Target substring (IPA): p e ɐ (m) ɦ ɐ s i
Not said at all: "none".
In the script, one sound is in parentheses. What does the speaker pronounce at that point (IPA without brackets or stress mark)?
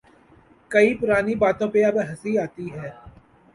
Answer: b